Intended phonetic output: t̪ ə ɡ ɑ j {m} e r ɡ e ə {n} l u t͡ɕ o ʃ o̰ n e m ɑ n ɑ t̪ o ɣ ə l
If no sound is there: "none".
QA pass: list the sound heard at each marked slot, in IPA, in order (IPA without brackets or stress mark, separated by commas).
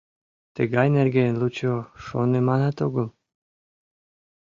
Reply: n, n